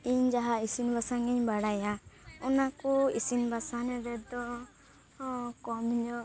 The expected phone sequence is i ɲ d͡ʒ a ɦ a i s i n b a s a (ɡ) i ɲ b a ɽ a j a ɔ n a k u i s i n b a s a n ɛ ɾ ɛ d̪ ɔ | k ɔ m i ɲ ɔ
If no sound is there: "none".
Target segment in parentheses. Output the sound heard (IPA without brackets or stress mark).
ŋ